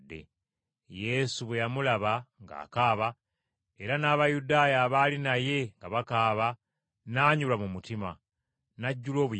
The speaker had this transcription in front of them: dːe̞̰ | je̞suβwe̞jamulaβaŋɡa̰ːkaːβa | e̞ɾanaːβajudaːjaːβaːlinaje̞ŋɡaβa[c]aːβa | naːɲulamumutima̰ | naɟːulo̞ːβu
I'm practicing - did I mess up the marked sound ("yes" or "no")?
yes